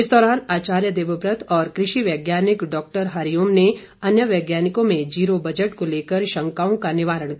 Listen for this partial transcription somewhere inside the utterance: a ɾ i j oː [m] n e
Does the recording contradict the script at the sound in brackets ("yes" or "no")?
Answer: no